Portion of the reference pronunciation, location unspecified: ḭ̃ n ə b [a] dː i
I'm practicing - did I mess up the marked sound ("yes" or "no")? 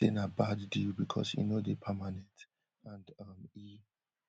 no